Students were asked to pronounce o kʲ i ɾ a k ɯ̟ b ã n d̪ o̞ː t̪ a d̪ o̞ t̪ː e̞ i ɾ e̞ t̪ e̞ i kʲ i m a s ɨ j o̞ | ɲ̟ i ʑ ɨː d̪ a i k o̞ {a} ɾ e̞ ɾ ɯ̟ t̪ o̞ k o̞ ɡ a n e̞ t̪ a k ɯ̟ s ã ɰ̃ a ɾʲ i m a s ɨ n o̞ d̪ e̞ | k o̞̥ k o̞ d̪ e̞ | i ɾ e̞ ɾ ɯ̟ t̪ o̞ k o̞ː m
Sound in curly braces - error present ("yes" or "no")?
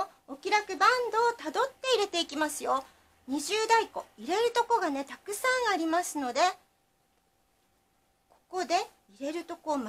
yes